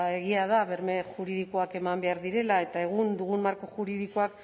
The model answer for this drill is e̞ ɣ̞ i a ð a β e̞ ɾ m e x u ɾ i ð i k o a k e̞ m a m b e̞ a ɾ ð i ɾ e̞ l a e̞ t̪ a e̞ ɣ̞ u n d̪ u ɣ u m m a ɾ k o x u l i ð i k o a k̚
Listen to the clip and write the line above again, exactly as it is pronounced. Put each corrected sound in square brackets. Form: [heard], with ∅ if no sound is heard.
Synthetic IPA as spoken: e̞ ɣ̞ i a ð a β e̞ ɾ m e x u ɾ i ð i k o a k e̞ m a m b e̞ a ɾ ð i ɾ e̞ l a e̞ t̪ a e̞ ɣ̞ u n d̪ u ɣ u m m a ɾ k o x u [ɾ] i ð i k o a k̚